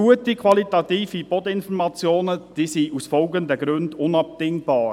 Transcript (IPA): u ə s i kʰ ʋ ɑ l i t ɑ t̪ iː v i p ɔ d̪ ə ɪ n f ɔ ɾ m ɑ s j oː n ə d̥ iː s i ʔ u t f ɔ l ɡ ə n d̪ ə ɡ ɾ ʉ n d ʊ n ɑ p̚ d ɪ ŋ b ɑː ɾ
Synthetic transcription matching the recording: u ə t i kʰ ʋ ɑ l i t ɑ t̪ iː f i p ɔ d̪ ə ɪ n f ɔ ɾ m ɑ t͡s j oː n ə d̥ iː s i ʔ u s f ɔ l ɡ ə n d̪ ə ɡ ɾ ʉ n d ʊ n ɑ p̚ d ɪ ŋ b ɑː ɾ